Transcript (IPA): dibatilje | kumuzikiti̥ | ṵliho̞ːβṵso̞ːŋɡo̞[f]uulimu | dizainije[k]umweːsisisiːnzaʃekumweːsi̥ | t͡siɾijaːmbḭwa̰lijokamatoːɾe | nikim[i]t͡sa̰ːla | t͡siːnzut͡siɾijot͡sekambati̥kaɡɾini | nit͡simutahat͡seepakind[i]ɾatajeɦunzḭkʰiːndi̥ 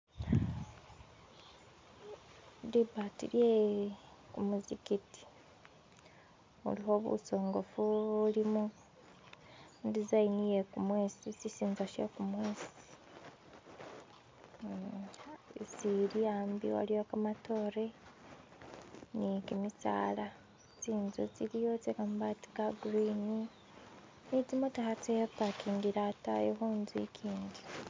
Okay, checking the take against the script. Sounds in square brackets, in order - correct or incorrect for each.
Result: correct, correct, correct, correct

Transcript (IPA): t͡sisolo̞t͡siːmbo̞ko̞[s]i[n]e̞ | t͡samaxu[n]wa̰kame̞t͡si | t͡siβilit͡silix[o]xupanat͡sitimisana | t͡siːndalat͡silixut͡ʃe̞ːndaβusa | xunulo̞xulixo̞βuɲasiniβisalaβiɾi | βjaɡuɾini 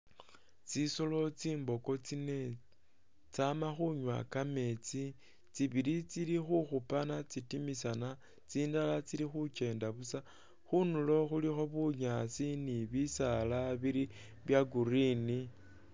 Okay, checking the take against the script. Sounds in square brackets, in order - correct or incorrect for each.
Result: incorrect, correct, incorrect, incorrect

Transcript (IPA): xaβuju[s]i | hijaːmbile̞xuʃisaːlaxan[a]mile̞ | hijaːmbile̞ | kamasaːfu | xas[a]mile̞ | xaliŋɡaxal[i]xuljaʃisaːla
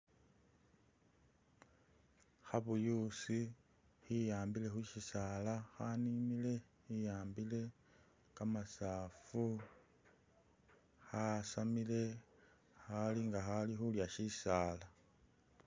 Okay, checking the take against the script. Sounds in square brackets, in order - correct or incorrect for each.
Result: correct, incorrect, correct, correct

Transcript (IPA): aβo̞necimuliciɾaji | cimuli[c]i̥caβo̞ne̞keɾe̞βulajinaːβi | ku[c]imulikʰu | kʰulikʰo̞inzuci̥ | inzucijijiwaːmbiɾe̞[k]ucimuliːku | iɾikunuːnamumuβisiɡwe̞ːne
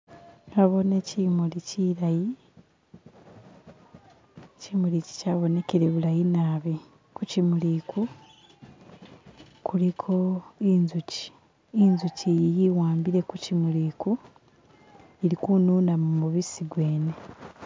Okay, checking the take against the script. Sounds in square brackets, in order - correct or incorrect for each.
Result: correct, correct, correct

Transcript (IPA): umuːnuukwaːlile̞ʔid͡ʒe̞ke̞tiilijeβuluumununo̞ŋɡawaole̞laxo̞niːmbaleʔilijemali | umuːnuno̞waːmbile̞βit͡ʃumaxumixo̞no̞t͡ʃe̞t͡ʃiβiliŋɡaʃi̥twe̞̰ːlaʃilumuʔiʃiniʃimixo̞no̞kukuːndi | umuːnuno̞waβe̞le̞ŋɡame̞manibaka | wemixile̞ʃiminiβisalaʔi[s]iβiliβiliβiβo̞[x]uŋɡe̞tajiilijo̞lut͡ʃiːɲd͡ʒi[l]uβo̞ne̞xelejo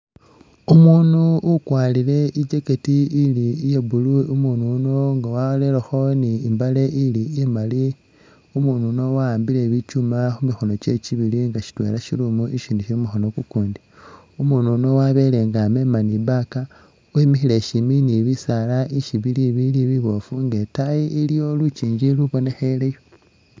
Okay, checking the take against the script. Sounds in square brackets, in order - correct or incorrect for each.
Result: incorrect, incorrect, correct

